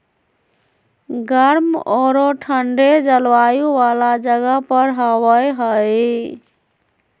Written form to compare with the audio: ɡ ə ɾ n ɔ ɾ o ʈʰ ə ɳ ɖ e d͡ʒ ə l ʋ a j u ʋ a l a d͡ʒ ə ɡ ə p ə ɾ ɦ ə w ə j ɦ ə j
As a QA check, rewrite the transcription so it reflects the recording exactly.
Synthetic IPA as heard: ɡ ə ɾ m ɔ ɾ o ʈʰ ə ɳ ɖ e d͡ʒ ə l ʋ a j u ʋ a l a d͡ʒ ə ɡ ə p ə ɾ ɦ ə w ə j ɦ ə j